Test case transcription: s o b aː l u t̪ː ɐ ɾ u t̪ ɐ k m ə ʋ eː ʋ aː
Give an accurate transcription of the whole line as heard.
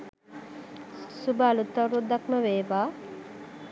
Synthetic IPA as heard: s u b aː l u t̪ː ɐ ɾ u d̪ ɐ k m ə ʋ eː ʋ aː